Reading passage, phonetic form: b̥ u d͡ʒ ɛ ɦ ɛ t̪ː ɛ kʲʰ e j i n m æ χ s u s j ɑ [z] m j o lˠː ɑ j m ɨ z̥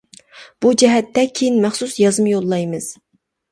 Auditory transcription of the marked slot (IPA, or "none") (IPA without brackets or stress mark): z